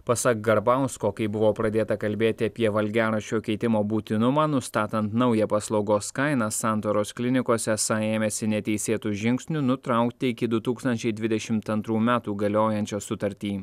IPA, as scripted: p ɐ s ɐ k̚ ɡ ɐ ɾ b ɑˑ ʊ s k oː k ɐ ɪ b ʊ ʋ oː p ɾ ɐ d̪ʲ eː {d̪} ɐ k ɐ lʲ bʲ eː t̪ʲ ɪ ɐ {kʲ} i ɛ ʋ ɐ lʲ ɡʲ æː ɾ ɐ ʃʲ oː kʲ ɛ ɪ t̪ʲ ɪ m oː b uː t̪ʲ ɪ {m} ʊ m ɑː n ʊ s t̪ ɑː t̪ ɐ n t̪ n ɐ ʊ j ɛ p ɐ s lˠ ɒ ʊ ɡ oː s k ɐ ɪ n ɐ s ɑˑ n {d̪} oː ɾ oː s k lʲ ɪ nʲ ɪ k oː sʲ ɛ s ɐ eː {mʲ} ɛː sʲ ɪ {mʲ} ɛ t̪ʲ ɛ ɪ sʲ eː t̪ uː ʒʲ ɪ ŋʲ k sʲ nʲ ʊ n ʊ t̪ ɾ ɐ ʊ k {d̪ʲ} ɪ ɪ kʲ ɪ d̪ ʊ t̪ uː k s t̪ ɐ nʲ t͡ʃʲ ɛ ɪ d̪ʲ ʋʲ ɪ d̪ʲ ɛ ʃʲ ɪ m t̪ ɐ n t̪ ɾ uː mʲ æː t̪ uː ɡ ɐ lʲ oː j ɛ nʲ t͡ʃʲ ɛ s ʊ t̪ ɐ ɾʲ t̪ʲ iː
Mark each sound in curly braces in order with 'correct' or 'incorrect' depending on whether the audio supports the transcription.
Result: incorrect, incorrect, incorrect, incorrect, correct, incorrect, incorrect

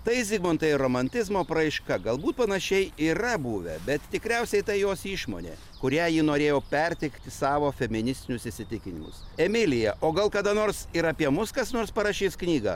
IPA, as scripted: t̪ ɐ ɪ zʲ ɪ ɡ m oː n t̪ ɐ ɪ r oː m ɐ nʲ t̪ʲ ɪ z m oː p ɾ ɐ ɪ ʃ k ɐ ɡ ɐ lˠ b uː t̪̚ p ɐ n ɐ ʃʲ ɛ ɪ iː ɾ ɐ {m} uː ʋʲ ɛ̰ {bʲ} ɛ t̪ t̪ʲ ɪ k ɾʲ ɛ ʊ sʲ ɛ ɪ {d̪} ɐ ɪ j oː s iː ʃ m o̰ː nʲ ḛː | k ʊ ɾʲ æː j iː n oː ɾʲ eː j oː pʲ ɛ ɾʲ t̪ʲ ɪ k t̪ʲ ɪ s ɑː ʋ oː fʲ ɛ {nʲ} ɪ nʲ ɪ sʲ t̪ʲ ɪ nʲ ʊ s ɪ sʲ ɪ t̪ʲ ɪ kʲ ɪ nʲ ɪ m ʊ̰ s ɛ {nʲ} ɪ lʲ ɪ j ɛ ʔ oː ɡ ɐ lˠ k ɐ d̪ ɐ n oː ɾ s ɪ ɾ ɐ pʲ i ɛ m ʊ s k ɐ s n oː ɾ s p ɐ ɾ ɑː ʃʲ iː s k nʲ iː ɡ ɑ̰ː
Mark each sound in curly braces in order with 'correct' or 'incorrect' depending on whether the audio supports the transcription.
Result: incorrect, correct, incorrect, incorrect, incorrect

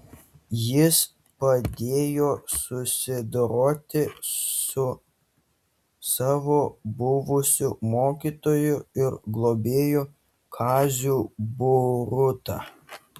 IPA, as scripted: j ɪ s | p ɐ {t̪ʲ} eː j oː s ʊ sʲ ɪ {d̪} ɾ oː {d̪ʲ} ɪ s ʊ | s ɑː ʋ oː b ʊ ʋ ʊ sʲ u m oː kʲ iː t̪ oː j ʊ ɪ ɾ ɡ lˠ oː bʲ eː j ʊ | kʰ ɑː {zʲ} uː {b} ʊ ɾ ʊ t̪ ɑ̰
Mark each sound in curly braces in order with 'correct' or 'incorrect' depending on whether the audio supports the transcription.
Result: incorrect, correct, incorrect, correct, correct

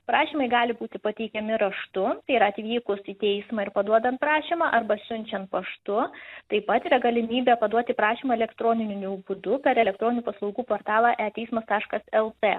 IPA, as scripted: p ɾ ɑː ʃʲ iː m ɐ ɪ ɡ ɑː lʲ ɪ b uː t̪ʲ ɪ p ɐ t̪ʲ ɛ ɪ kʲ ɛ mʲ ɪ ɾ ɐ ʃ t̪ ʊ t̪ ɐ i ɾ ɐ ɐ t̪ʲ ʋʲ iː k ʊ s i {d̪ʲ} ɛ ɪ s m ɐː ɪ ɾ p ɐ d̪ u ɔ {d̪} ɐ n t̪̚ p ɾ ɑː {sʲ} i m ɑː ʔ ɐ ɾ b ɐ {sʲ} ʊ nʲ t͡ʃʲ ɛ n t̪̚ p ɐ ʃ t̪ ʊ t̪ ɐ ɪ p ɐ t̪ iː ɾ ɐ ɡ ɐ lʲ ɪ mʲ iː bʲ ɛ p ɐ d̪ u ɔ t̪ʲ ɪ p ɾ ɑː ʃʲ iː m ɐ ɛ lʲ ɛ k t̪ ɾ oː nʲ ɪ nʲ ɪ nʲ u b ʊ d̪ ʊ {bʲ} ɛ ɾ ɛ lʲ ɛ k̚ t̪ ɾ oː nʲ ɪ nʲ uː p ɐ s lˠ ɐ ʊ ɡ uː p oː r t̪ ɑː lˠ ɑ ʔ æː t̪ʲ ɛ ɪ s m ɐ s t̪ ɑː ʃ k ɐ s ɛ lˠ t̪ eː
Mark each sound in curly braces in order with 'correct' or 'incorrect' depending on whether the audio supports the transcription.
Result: incorrect, correct, incorrect, correct, incorrect

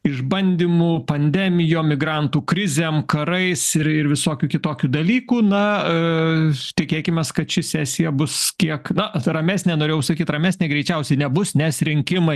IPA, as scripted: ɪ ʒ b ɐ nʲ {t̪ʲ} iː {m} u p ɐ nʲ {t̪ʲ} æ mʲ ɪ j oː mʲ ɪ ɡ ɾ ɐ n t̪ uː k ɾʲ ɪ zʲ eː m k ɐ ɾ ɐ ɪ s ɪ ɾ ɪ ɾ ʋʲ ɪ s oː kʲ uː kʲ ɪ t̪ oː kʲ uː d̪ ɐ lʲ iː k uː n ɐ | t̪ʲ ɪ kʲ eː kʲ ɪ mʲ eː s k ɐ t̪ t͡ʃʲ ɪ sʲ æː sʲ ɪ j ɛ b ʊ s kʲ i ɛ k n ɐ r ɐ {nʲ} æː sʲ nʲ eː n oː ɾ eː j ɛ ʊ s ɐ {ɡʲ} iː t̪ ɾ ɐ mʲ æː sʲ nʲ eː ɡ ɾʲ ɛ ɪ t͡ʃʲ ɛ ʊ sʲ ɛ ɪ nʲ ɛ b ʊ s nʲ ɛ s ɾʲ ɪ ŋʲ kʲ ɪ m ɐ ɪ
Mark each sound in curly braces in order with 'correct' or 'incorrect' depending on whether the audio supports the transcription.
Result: incorrect, correct, incorrect, incorrect, incorrect

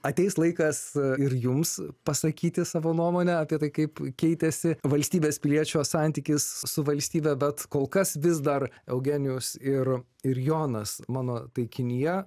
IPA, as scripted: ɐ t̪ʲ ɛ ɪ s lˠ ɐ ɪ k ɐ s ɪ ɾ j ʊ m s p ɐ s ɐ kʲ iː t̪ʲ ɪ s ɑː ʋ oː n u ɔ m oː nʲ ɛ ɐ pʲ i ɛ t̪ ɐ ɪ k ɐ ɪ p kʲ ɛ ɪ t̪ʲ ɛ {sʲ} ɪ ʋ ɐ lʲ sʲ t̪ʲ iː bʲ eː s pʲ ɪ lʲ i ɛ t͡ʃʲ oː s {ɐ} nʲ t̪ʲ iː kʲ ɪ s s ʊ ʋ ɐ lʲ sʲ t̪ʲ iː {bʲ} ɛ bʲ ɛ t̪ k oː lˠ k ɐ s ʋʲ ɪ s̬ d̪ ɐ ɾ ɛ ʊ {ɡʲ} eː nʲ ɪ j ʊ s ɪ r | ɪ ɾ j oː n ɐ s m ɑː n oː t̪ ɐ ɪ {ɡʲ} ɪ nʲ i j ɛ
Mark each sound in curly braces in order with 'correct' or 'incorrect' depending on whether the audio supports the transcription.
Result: correct, incorrect, correct, correct, incorrect

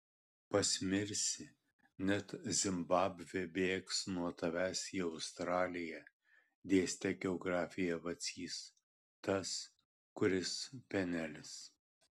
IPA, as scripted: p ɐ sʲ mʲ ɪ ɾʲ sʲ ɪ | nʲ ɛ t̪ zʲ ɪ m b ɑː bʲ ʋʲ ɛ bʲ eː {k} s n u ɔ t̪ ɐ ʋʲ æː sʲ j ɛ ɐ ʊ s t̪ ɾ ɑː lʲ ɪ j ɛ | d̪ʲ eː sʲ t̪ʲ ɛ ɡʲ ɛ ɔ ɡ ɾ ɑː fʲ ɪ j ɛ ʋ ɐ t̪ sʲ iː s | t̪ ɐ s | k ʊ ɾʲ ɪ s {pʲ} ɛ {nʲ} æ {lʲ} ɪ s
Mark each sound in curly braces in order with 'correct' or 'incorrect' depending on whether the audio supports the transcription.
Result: correct, correct, correct, correct

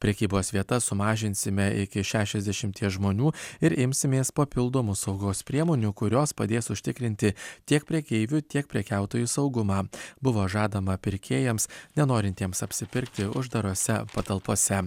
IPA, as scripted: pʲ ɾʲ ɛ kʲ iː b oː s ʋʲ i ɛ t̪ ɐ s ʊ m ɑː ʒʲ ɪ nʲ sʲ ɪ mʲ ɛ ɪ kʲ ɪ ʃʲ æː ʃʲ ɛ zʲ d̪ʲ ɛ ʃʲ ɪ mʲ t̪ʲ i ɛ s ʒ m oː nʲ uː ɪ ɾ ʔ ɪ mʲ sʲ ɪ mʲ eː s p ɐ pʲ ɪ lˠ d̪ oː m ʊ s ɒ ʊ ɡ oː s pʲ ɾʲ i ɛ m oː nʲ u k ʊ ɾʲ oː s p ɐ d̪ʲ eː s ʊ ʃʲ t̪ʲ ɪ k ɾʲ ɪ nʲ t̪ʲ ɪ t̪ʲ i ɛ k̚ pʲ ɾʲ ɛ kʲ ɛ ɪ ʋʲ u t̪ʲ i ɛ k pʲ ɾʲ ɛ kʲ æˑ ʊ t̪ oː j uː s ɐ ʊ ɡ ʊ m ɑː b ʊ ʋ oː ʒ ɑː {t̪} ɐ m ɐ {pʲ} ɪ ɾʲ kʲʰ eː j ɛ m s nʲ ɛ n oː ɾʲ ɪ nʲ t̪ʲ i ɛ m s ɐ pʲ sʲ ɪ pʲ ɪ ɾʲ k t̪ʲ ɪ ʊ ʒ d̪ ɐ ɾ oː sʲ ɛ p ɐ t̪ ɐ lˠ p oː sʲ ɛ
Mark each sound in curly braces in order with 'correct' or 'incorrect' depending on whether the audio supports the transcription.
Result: incorrect, correct

